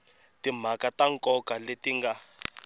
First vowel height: high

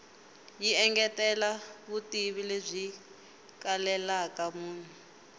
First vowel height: high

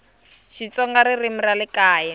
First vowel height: high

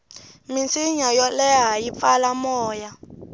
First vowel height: high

